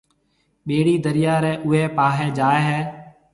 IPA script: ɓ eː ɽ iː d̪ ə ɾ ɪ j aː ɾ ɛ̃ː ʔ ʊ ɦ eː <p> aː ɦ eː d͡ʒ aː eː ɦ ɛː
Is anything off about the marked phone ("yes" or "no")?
no